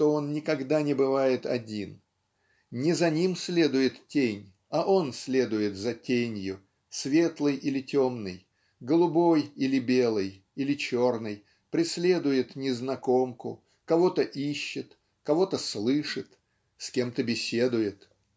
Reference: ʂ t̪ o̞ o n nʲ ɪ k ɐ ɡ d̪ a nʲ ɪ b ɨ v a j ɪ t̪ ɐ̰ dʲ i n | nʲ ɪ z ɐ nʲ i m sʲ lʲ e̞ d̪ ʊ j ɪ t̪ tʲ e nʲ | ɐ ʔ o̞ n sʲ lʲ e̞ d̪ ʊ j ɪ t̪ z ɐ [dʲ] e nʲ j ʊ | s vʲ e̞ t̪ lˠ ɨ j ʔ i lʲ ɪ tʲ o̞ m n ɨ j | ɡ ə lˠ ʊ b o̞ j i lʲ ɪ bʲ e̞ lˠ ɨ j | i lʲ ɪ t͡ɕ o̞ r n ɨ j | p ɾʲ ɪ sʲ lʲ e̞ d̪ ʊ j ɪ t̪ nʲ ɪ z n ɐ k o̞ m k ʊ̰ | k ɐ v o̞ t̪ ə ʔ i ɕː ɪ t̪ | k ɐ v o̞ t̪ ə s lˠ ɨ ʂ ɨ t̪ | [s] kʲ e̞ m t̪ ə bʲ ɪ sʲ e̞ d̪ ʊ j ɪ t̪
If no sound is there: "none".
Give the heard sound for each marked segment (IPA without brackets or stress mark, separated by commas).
tʲ, s